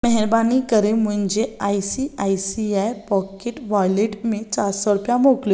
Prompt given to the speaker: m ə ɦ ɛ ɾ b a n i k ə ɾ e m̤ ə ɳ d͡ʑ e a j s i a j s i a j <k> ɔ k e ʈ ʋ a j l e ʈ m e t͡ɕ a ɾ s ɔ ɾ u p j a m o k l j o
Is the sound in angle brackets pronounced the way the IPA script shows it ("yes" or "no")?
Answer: no